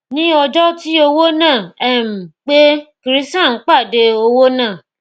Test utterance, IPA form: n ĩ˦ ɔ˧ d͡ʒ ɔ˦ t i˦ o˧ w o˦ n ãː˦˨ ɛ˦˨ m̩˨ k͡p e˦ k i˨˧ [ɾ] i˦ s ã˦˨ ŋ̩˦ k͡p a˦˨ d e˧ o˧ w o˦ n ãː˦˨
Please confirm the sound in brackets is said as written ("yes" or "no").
yes